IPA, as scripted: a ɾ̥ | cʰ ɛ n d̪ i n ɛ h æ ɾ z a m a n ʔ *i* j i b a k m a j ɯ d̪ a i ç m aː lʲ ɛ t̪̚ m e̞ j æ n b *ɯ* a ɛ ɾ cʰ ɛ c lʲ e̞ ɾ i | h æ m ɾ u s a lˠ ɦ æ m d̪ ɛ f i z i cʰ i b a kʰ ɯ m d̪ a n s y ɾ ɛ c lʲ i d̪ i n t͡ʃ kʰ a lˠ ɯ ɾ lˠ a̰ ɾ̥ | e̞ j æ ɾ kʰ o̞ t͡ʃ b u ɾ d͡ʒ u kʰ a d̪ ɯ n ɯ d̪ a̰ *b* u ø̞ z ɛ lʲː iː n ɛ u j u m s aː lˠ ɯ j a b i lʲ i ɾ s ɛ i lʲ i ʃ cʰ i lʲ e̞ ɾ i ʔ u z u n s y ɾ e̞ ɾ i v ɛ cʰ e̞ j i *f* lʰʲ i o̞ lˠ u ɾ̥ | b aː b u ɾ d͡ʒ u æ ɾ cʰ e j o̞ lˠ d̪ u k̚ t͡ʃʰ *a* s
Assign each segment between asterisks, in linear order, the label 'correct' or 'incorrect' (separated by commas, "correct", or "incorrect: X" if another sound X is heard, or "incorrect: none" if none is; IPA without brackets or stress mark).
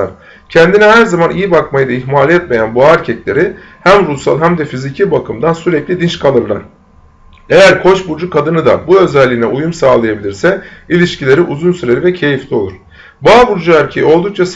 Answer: correct, incorrect: u, correct, correct, correct